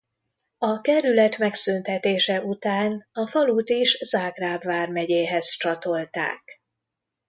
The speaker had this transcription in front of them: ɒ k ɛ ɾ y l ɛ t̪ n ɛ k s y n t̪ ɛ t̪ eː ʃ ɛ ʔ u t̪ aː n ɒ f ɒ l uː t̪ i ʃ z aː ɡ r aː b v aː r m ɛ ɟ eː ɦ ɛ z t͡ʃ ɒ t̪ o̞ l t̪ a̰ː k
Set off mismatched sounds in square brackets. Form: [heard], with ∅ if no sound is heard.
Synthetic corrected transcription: ɒ k ɛ ɾ y l ɛ t̪ [m] ɛ k s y n t̪ ɛ t̪ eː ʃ ɛ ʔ u t̪ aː n ɒ f ɒ l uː t̪ i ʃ z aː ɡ r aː b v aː r m ɛ ɟ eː ɦ ɛ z t͡ʃ ɒ t̪ o̞ l t̪ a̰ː k

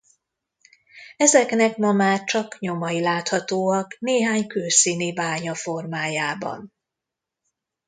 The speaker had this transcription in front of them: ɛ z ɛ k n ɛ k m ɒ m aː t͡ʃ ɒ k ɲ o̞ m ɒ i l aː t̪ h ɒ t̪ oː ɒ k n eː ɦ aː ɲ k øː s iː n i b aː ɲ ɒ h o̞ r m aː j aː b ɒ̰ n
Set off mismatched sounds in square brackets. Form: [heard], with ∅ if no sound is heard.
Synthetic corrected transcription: ɛ z ɛ k n ɛ k m ɒ m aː t͡ʃ ɒ k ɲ o̞ m ɒ i l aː t̪ h ɒ t̪ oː ɒ k n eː ɦ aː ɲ k øː s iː n i b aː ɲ ɒ [f] o̞ r m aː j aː b ɒ̰ n

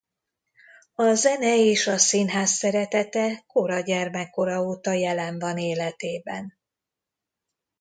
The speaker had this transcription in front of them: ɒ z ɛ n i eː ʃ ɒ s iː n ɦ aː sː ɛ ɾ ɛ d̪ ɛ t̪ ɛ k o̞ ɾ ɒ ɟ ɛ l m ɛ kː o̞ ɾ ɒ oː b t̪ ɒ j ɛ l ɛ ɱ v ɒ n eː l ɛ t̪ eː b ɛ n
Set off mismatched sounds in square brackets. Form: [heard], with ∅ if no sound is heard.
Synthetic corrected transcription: ɒ z ɛ n [ɛ] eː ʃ ɒ s [i] n ɦ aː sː ɛ ɾ ɛ [t̪] ɛ t̪ ɛ k o̞ ɾ ɒ ɟ ɛ [r] m ɛ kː o̞ ɾ ɒ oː [∅] t̪ ɒ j ɛ l ɛ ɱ v ɒ n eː l ɛ t̪ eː b ɛ n

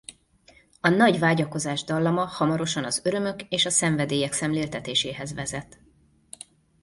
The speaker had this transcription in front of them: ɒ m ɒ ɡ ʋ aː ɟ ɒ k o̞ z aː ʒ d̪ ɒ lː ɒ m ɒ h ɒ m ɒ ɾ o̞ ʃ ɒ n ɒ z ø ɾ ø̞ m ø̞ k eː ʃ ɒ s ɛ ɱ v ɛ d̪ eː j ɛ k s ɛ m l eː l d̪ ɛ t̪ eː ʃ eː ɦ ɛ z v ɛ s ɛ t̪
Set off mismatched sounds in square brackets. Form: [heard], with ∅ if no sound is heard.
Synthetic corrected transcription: ɒ [n] ɒ [ɟ] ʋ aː ɟ ɒ k o̞ z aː ʒ d̪ ɒ lː ɒ m ɒ h ɒ m ɒ ɾ o̞ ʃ ɒ n ɒ z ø ɾ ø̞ m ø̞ k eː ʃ ɒ s ɛ ɱ v ɛ d̪ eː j ɛ k s ɛ m l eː l [t̪] ɛ t̪ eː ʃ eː ɦ ɛ z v ɛ [z] ɛ t̪

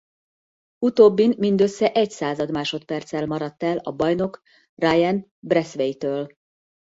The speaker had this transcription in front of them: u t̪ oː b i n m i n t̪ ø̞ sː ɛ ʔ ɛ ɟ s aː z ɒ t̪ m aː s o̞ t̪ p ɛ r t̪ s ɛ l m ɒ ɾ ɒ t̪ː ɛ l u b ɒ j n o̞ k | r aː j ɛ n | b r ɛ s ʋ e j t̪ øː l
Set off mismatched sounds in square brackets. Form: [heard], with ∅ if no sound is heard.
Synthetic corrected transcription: u t̪ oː [bː] i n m i n [d̪] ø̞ sː ɛ ʔ ɛ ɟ s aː z ɒ [d̪] m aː [ʃ] o̞ t̪ p ɛ r t̪ s ɛ l m ɒ ɾ ɒ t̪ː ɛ l [ɒ] b ɒ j n o̞ k | r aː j ɛ n | b r ɛ s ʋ e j t̪ øː l

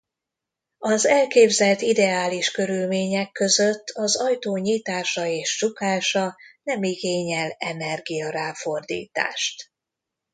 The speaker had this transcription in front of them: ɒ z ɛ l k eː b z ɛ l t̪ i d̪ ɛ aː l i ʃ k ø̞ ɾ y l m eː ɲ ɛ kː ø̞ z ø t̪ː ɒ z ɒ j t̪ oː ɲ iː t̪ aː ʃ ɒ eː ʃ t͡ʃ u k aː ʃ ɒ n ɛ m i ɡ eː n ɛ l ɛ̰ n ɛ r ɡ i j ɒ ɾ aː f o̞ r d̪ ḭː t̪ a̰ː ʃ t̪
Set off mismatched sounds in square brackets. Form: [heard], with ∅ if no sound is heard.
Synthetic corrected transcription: ɒ z ɛ l k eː b z ɛ l t̪ i d̪ ɛ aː l i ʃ k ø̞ ɾ y l m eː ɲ ɛ kː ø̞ z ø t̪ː ɒ z ɒ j t̪ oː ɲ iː t̪ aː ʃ ɒ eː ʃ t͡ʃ u k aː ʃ ɒ n ɛ m i ɡ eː [ɲ] ɛ l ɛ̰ n ɛ r ɡ i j ɒ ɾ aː f o̞ r d̪ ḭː t̪ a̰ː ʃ t̪

